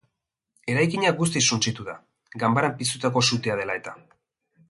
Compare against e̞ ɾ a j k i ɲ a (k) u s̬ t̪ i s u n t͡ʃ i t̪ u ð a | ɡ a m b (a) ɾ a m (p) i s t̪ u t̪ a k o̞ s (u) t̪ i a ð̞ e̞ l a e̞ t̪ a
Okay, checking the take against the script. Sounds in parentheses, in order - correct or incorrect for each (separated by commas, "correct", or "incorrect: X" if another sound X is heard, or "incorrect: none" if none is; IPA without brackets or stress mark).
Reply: incorrect: ɡ, correct, correct, correct